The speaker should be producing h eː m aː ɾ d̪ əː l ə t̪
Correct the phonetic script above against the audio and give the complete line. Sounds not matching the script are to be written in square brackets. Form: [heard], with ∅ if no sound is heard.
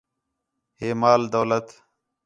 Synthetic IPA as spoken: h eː m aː [l] d̪ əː l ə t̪